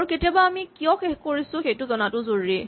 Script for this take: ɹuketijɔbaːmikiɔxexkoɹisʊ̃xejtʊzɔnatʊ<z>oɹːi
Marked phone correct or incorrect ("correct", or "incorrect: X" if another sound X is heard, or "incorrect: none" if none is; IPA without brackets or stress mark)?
correct